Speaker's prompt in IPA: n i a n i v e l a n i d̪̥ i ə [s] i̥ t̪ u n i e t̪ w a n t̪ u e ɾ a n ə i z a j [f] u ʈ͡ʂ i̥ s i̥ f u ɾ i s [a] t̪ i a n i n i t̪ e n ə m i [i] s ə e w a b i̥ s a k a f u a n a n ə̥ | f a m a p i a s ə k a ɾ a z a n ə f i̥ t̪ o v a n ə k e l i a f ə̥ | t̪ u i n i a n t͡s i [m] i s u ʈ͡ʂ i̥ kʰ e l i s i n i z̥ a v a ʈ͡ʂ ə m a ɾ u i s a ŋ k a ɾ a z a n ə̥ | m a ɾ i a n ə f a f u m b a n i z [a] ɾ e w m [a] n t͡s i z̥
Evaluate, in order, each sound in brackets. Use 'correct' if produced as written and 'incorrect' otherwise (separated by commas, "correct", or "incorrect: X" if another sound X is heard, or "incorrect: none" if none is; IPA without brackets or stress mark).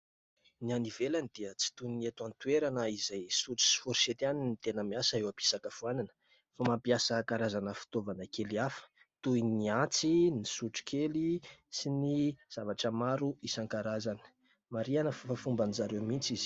incorrect: t͡s, incorrect: s, incorrect: e, incorrect: a, incorrect: n, correct, incorrect: i